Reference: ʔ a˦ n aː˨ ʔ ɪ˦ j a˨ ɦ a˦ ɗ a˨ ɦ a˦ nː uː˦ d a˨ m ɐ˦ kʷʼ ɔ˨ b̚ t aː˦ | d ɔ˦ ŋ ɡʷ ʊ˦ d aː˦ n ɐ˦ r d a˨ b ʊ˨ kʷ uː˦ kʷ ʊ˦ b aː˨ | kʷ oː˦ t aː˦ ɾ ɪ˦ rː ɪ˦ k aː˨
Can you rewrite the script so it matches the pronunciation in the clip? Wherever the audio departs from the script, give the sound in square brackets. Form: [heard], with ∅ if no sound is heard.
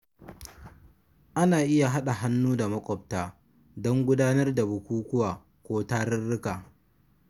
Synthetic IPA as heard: ʔ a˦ n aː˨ ʔ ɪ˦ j a˨ ɦ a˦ ɗ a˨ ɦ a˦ nː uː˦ d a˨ m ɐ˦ kʷʼ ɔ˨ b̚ t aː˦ | d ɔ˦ ŋ ɡʷ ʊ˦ d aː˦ n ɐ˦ r d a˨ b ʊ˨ kʷ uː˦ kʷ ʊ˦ [w] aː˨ | kʷ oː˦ t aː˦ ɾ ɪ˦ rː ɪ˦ k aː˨